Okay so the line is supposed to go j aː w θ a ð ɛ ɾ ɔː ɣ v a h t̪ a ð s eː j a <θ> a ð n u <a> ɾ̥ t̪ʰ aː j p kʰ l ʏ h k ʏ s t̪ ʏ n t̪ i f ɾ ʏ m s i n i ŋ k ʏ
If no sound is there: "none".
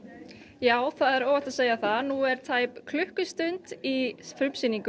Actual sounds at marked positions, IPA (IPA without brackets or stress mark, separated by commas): θ, ɛ